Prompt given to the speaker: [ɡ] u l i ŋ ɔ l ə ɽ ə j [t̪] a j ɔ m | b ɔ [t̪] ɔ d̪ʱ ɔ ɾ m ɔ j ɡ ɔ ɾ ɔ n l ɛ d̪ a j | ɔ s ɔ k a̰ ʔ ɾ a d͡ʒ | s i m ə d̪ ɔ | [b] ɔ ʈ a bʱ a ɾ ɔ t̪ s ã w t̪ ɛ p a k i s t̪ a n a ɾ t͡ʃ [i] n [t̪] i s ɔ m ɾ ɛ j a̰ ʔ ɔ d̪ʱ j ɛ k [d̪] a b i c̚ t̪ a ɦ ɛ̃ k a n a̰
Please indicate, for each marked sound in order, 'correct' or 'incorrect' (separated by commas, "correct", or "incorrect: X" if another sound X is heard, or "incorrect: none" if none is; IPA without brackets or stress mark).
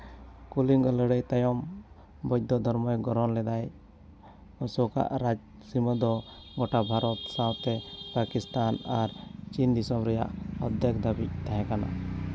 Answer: incorrect: k, correct, incorrect: d̪, incorrect: ɡ, correct, incorrect: d̪, correct